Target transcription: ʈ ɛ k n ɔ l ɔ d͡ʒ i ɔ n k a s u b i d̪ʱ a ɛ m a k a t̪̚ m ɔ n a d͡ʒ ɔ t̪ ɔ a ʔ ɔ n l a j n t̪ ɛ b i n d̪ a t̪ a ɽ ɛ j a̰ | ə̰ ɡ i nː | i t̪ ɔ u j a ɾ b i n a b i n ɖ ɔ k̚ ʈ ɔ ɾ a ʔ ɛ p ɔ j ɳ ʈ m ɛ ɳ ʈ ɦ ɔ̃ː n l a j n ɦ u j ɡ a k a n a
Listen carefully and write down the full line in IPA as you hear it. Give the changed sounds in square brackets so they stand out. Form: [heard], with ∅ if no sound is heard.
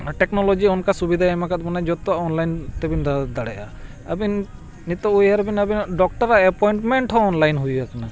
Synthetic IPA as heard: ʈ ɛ k n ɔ l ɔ d͡ʒ i ɔ n k a s u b i d̪ʱ a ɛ m a k a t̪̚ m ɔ n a d͡ʒ ɔ t̪ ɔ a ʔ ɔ n l a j n t̪ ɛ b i n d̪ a [d̪] a ɽ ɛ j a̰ | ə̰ [b] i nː | i t̪ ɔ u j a ɾ b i n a b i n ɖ ɔ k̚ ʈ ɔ ɾ a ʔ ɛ p ɔ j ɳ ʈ m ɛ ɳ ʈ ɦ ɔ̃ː n l a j n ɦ u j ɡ a k a n a